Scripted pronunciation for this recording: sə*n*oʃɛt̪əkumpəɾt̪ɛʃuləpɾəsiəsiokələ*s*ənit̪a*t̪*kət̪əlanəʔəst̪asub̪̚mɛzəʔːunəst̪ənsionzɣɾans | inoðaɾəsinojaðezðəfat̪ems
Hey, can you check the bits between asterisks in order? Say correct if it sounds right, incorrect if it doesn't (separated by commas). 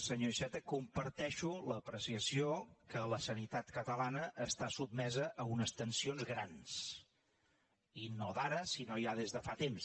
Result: incorrect, correct, correct